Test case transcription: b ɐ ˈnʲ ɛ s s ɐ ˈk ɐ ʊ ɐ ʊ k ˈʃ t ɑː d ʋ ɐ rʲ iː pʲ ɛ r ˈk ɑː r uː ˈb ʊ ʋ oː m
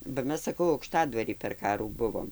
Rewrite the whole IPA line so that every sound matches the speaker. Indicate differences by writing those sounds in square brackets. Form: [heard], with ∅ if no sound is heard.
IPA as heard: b ɐ [ˈmʲ] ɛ s s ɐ ˈk ɐ ʊ ɐ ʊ k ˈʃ t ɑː d ʋ ɐ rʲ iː pʲ ɛ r ˈk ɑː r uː ˈb ʊ ʋ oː m